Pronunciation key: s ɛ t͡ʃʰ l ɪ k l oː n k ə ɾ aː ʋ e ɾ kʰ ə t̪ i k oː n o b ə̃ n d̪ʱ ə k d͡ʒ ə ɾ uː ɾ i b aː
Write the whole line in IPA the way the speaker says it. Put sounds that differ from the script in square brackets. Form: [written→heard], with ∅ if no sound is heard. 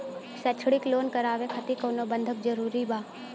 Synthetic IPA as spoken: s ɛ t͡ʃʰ [l→ɽ] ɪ k l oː n k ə ɾ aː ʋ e [ɾ→∅] kʰ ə t̪ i k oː n o b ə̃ n d̪ʱ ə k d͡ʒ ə ɾ uː ɾ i b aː